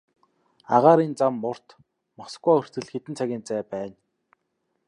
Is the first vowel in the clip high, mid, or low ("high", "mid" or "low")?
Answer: low